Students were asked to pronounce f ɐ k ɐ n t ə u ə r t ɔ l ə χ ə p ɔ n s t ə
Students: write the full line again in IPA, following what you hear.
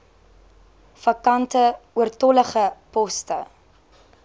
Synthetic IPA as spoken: f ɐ k ɐ n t ə u ə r t ɔ l ə χ ə p ɔ s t ə